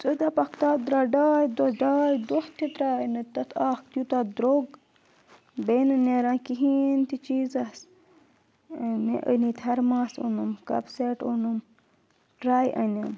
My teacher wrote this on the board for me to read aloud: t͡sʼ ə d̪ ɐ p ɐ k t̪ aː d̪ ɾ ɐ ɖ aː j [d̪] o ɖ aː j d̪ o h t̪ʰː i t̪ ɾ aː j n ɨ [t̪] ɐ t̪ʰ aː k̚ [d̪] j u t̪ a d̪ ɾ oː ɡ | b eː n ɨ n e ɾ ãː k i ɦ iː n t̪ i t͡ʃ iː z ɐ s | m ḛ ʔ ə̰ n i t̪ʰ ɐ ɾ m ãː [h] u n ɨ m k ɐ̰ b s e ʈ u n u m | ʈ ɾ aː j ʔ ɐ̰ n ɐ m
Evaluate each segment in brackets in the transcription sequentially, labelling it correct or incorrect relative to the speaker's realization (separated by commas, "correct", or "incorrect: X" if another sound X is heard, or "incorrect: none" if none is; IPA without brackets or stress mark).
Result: correct, correct, incorrect: t̪, incorrect: s